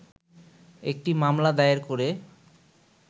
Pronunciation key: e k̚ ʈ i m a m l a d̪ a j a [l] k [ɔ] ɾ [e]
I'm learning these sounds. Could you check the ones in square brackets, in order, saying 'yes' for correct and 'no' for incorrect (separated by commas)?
no, no, yes